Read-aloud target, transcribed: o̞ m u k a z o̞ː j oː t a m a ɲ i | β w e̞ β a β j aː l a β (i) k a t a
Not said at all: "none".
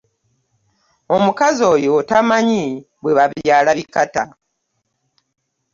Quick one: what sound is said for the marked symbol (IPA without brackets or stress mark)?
i